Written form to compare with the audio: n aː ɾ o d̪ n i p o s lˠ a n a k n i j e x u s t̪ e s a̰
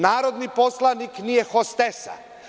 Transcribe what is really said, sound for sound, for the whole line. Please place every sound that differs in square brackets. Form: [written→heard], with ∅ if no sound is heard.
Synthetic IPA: n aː ɾ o d̪ n i p o s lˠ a n [a→i] k n i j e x [u→o] s t̪ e s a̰